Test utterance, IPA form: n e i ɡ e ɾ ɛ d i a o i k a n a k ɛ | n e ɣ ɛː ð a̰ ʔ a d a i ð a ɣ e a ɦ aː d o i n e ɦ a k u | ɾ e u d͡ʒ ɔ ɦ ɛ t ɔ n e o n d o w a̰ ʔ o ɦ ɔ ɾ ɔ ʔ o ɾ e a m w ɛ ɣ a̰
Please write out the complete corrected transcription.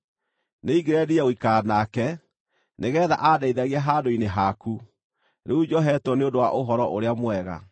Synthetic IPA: n e i ɡ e ɾ ɛ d i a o i k a n a k ɛ | n e ɣ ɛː ð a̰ ʔ a d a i ð a ɣ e a ɦ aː d o i n e ɦ a k u | ɾ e u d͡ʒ ɔ ɦ ɛ t ɔ n e o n d o w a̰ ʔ o ɦ ɔ ɾ ɔ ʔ o ɾ e a m w ɛ ɣ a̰